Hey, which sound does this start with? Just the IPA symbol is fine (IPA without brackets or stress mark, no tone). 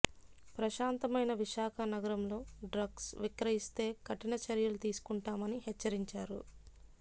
p